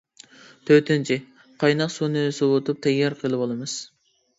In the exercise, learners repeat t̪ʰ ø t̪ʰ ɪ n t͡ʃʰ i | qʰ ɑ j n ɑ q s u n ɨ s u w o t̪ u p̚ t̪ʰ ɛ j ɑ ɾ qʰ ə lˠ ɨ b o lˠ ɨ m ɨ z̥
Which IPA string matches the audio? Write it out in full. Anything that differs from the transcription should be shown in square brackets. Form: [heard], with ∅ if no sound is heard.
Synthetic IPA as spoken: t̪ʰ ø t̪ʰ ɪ n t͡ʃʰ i | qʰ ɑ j n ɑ q s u n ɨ s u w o t̪ u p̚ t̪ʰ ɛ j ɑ ɾ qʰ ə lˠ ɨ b o lˠ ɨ m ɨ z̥